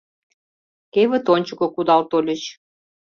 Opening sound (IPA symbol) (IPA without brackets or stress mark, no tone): k